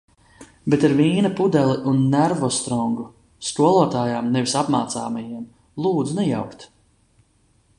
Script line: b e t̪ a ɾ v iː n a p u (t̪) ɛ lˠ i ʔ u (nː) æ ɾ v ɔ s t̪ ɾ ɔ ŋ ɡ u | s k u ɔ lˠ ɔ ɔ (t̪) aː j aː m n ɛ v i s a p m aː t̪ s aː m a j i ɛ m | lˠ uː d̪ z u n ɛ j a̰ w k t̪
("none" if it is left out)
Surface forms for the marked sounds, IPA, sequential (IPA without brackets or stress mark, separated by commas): d̪, nː, t̪